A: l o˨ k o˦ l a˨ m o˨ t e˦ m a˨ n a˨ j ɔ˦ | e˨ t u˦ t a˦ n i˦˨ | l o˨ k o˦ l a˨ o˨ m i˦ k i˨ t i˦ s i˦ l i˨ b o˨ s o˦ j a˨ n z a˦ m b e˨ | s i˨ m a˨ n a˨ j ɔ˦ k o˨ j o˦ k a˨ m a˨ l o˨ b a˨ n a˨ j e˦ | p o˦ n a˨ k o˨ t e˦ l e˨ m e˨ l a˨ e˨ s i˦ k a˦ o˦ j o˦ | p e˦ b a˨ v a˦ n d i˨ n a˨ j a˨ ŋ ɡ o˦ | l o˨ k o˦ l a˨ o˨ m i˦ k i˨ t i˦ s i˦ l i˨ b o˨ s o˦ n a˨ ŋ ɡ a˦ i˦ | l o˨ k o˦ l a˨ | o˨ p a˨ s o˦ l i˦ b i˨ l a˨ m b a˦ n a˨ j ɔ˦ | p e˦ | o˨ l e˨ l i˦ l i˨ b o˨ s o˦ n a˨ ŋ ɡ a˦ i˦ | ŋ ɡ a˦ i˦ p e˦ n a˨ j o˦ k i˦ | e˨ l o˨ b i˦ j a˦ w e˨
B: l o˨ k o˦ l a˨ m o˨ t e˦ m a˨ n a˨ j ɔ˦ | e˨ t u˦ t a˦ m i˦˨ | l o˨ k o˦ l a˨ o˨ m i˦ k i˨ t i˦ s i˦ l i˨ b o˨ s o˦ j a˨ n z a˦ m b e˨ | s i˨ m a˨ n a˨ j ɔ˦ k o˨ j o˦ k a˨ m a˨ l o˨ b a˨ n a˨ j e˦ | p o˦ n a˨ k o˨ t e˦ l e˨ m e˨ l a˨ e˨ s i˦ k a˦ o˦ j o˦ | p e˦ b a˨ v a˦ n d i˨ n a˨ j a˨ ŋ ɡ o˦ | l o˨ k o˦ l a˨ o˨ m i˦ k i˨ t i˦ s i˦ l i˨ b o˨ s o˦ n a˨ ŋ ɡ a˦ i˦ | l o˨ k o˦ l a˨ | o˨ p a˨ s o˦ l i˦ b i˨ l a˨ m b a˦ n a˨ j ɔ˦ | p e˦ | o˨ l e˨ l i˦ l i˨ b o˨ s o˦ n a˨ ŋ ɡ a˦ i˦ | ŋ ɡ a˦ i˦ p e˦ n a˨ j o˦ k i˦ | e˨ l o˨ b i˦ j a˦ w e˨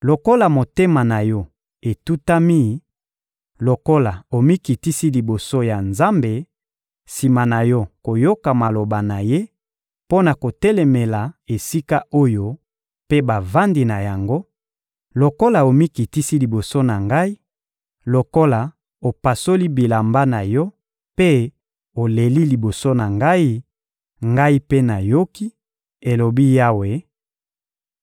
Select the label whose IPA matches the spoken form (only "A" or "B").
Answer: B